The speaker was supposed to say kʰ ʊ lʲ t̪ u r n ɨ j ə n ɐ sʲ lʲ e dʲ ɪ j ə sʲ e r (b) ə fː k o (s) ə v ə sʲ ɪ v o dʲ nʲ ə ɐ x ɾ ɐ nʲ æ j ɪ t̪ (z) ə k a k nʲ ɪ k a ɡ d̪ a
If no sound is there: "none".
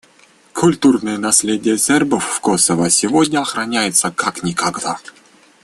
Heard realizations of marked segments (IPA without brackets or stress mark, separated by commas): b, s, s